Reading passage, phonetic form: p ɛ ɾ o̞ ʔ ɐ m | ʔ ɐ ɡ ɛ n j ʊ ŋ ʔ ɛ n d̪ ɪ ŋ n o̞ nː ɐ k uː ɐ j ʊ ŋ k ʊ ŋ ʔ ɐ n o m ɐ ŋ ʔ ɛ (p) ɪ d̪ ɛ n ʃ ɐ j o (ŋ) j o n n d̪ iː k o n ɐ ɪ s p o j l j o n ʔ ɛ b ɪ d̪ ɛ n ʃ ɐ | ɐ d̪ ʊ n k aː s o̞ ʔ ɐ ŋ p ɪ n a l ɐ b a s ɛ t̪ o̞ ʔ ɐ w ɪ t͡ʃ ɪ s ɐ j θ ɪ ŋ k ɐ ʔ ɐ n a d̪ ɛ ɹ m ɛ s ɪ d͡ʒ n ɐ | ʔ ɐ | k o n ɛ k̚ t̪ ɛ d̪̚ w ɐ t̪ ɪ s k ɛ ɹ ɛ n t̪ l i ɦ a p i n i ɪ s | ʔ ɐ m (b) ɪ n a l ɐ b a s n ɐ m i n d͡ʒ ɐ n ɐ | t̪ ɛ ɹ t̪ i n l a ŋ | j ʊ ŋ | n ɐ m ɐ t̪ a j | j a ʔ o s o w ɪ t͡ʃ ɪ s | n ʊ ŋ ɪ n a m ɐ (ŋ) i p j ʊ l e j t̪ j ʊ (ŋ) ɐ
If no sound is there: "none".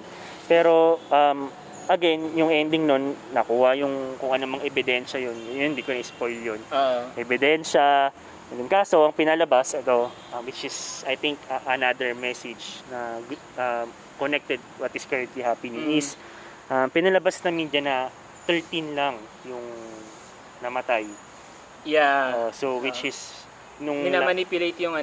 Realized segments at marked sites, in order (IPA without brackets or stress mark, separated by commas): b, n, p, n, ŋ